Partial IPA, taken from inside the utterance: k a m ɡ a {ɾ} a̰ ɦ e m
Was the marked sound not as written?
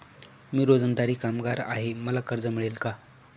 no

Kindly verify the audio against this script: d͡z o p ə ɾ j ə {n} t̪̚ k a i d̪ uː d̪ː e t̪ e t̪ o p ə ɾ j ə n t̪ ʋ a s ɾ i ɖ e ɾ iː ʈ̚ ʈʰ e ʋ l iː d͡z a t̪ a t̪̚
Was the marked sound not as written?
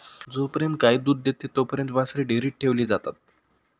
no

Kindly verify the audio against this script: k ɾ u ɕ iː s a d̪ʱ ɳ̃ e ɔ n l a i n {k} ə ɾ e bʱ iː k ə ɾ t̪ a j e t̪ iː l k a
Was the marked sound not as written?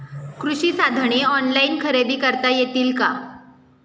yes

